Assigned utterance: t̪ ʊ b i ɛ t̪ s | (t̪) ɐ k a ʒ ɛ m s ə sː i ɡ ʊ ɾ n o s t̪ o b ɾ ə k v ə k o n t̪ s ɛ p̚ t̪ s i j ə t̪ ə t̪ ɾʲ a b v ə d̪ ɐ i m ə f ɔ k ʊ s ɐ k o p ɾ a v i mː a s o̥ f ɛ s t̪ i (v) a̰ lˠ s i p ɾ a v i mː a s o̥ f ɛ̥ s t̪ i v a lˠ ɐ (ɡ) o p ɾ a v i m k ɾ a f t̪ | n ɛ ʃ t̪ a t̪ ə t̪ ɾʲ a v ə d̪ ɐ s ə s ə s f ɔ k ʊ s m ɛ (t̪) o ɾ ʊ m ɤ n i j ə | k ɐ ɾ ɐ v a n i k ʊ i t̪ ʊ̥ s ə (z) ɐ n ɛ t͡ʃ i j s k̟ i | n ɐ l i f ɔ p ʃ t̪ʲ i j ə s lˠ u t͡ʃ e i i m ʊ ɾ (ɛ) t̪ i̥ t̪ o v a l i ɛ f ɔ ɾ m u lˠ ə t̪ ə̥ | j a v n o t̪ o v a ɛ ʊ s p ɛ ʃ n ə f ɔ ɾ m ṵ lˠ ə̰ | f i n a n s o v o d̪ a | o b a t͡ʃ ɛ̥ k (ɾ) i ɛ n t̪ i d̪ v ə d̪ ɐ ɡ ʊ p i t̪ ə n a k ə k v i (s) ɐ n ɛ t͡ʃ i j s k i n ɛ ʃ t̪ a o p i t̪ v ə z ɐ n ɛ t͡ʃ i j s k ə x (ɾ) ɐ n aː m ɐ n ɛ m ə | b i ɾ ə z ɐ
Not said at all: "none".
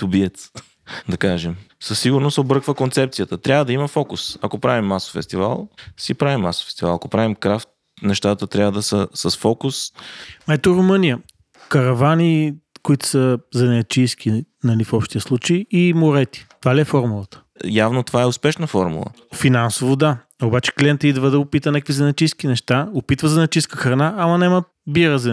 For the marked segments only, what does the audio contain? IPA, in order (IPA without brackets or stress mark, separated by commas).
d̪, v, k, t̪, z, ɛ, l, z, ɾ